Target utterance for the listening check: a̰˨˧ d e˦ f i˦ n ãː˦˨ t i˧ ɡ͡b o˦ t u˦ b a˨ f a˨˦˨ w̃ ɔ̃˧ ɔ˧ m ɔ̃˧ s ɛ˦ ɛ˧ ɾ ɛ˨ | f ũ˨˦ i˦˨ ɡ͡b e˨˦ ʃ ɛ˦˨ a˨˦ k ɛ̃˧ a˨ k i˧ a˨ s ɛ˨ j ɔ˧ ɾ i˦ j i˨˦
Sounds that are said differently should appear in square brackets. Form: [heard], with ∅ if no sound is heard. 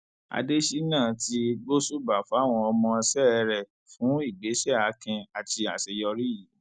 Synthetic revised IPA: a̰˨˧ d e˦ [ʃ] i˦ n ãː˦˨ t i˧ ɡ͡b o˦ [s] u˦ b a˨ f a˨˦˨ w̃ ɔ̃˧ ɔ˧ m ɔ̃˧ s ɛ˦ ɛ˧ ɾ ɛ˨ | f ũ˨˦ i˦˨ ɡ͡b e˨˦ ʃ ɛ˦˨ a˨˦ k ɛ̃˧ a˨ [t] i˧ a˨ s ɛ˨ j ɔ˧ ɾ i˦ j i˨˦

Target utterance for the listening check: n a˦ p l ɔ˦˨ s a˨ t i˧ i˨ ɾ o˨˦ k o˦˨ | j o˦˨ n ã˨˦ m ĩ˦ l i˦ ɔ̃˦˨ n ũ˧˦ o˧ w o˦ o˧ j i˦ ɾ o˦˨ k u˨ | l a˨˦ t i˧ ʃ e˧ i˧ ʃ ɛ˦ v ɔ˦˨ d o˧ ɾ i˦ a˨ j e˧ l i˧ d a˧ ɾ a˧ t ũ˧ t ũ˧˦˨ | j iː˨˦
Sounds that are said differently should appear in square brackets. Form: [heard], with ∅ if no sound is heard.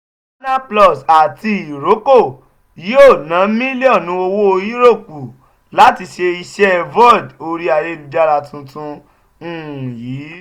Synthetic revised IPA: n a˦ p l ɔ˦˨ s a˨ t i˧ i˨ ɾ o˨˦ k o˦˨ | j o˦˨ n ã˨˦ m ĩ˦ l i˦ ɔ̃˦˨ n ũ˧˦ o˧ w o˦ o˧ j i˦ ɾ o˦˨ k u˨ | l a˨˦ t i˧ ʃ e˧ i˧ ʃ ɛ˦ v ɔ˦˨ d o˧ ɾ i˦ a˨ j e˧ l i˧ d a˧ ɾ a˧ t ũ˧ t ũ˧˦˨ | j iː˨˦

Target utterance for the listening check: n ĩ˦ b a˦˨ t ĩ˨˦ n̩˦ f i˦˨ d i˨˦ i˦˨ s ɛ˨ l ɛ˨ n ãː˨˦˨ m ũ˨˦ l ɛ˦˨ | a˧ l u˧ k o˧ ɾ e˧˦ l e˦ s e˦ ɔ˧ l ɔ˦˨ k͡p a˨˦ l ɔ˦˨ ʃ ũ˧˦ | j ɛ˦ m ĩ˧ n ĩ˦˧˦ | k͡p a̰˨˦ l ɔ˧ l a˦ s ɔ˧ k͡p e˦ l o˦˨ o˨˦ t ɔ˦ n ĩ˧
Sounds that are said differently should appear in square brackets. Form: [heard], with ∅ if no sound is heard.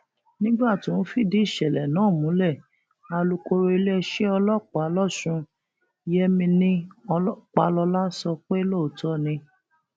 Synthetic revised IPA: n ĩ˦ [ɡ͡b] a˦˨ t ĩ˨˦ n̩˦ f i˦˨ d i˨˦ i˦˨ [ʃ] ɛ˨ l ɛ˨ n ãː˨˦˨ m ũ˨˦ l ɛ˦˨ | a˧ l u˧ k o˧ ɾ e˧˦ l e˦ [ʃ] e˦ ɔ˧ l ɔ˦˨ k͡p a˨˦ l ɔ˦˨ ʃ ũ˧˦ | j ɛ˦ m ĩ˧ n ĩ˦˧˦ | k͡p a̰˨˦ l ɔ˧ l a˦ s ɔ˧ k͡p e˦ l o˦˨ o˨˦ t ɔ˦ n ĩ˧

